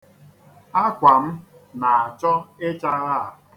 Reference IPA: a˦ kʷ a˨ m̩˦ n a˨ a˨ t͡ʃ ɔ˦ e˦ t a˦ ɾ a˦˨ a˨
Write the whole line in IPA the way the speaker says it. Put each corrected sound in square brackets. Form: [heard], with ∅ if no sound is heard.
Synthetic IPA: a˦ kʷ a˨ m̩˦ n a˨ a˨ t͡ʃ ɔ˦ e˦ [t͡ʃ] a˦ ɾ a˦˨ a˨